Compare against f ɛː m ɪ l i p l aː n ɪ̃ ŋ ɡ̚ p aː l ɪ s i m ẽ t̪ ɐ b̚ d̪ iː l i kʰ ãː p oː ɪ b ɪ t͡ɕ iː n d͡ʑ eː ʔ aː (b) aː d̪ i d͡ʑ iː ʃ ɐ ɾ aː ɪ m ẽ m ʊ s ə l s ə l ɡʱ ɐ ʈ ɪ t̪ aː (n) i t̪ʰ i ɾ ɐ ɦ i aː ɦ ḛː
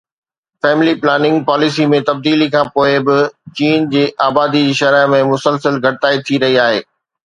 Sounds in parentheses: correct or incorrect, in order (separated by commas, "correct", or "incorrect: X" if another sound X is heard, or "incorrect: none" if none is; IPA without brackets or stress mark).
correct, incorrect: none